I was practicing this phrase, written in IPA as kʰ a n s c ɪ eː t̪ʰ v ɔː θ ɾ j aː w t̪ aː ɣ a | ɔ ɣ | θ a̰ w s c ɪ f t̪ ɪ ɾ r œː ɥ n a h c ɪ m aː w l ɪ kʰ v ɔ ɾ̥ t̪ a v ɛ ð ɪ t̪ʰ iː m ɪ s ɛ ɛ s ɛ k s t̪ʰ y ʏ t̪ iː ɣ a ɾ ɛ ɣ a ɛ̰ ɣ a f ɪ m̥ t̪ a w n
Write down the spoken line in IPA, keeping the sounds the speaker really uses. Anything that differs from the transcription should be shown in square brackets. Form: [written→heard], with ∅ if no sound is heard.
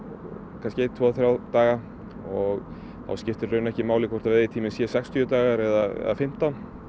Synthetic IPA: kʰ a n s c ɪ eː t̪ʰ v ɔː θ ɾ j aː w t̪ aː ɣ a | ɔ ɣ | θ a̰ w s c ɪ f t̪ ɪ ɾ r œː ɥ n [a→ɛ] h c ɪ m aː w l ɪ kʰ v ɔ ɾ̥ t̪ a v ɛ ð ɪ t̪ʰ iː m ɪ s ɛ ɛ s ɛ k s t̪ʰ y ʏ t̪ [iː→aː] ɣ a ɾ ɛ [ɣ→ð] a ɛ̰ [ɣ→ð] a f ɪ m̥ t̪ a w n